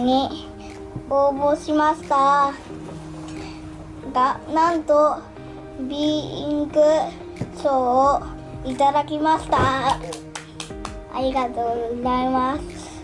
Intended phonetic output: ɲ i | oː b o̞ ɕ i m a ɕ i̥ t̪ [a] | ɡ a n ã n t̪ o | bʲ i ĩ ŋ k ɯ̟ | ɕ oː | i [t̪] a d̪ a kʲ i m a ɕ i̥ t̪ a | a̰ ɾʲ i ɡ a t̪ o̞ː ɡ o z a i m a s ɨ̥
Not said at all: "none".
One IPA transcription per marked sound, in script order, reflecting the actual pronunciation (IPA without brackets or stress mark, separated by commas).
a, t̪